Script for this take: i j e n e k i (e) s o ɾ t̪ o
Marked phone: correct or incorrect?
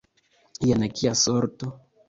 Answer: incorrect